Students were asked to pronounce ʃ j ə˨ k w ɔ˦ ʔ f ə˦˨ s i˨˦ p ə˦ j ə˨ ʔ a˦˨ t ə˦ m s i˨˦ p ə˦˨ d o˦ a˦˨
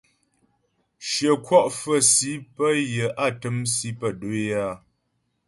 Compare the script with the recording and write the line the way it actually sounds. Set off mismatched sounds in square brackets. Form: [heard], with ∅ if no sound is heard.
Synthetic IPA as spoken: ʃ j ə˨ k w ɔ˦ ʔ f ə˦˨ s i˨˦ p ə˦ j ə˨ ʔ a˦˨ t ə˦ m s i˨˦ p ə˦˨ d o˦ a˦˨